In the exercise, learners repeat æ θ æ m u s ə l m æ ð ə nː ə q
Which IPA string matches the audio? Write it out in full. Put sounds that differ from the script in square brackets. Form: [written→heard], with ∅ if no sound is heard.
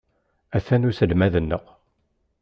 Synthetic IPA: æ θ æ [m→n] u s ə l m æ ð ə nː ə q